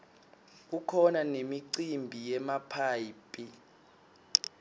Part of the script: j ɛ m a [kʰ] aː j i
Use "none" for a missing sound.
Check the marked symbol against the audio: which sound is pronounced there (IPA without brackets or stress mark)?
pʰ